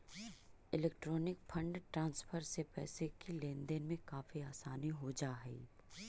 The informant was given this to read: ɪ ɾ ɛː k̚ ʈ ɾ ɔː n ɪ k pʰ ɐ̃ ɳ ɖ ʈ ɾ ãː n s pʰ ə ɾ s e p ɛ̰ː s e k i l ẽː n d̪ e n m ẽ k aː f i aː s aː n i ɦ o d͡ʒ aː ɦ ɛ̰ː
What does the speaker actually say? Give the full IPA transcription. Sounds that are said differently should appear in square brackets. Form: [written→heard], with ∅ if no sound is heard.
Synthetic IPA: ɪ [ɾ→l] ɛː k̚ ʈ ɾ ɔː n ɪ k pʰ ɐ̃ ɳ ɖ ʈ ɾ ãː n s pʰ ə ɾ s e p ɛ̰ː s e k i l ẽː n d̪ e n m ẽ k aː f i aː s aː n i ɦ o d͡ʒ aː ɦ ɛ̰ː